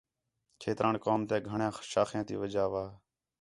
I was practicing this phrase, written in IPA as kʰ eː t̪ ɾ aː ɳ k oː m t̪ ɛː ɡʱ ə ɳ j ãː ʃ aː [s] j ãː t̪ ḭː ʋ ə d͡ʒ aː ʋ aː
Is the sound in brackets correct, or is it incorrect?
incorrect: x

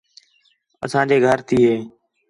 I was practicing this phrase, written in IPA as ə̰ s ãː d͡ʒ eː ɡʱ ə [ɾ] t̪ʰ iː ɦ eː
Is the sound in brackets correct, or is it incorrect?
correct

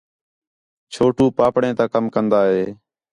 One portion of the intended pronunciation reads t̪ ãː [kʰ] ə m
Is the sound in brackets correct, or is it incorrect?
incorrect: k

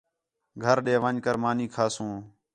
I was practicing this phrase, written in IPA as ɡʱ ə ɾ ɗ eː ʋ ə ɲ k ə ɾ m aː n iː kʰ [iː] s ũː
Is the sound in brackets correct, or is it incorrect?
incorrect: aː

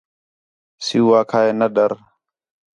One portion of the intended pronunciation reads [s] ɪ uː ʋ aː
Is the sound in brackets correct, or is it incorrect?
correct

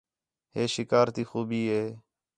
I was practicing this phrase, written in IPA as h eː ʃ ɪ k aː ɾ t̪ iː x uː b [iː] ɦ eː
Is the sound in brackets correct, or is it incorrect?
correct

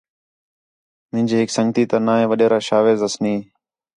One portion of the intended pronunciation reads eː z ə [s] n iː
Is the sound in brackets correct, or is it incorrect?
correct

